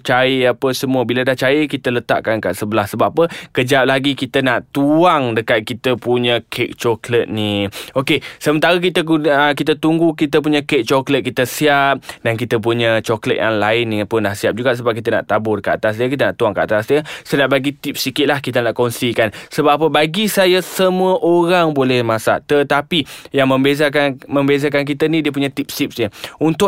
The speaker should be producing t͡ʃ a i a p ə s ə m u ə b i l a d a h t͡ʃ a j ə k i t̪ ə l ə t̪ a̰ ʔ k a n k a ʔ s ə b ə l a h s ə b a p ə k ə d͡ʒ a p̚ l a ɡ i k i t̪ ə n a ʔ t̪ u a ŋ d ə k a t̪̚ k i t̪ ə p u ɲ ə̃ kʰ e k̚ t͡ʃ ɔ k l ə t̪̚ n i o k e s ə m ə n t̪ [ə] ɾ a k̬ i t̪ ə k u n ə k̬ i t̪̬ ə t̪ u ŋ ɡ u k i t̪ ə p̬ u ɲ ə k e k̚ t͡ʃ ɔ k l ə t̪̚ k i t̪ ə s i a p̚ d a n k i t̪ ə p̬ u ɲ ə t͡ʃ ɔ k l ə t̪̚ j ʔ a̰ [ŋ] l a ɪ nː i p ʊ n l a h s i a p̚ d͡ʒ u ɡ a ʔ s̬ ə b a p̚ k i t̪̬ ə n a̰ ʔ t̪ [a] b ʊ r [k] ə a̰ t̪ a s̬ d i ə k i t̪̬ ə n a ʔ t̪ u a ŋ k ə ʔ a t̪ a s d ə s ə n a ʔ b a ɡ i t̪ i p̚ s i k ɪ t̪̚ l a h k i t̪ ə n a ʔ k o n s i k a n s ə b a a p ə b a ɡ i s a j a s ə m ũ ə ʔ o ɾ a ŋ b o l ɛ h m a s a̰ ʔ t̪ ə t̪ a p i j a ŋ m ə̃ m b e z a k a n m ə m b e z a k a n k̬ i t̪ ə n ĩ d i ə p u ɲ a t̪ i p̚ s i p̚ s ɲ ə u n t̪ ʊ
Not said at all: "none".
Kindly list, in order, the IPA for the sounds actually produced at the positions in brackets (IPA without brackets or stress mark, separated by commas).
a, ŋ, a, k